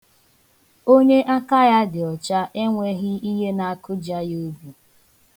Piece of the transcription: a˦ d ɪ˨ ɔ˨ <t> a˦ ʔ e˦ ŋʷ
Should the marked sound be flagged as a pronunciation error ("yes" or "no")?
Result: yes